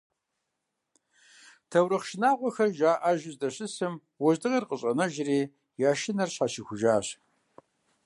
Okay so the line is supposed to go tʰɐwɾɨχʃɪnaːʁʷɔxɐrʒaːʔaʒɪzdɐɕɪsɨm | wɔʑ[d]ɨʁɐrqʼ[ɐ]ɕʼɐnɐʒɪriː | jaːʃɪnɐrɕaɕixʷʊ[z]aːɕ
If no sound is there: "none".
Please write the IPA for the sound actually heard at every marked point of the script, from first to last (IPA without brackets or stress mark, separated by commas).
d, ə, ʒ